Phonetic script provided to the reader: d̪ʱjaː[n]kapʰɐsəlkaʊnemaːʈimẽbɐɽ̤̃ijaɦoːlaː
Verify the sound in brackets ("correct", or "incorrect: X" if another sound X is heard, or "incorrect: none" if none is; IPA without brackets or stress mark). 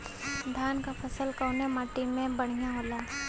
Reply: correct